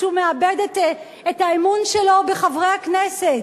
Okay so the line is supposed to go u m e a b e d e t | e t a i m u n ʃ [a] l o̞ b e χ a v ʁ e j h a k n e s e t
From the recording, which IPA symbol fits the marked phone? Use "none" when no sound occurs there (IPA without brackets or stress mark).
e